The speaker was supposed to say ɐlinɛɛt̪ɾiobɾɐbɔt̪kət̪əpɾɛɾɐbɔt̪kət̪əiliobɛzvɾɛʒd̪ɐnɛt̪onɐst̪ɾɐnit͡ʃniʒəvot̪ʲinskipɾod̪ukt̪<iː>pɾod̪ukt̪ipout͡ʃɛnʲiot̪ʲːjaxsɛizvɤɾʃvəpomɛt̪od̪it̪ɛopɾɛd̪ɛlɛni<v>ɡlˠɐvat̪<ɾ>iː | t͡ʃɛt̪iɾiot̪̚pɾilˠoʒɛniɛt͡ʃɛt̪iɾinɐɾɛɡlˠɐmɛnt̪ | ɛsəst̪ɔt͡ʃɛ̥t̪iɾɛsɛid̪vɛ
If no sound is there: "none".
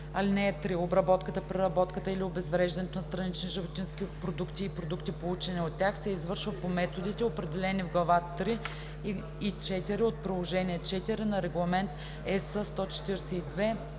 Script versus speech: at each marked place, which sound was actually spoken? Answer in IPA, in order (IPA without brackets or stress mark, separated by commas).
iː, v, ɾ